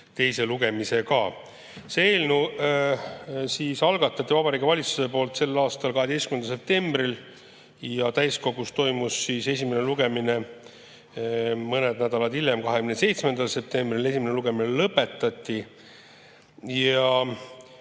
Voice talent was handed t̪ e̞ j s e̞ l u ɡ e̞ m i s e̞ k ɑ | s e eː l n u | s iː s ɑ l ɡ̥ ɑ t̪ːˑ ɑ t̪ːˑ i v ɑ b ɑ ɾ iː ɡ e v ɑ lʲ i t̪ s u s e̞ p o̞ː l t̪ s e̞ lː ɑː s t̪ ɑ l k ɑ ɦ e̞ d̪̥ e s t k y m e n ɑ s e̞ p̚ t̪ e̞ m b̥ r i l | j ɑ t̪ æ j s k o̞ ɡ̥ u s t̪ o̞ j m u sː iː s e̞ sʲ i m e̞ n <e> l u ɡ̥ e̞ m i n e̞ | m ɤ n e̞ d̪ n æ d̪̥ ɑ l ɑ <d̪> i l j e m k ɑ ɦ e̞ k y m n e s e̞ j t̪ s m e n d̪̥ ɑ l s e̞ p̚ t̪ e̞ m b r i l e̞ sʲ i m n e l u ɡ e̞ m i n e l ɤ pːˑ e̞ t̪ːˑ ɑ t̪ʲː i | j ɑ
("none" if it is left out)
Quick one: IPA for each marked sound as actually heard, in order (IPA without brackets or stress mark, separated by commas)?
e, d̪